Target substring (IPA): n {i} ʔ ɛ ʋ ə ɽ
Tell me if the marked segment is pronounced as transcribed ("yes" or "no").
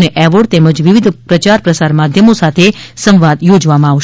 no